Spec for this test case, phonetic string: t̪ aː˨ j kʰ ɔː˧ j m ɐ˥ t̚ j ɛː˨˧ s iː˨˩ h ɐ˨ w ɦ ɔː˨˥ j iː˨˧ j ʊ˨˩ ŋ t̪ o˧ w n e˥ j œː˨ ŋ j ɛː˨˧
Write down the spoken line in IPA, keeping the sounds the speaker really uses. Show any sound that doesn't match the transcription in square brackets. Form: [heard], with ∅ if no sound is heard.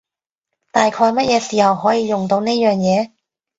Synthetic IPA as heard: t̪ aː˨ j kʰ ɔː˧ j m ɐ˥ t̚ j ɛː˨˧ s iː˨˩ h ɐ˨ w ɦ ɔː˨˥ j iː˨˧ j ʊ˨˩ ŋ t̪ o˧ w n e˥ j œː˨ ŋ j ɛː˨˧